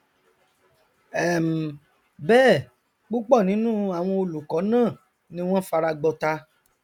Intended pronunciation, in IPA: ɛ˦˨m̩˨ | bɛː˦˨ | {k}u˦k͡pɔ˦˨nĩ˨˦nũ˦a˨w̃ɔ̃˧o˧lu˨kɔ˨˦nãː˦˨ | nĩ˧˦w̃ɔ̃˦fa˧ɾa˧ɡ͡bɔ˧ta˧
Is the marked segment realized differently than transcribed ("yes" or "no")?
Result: yes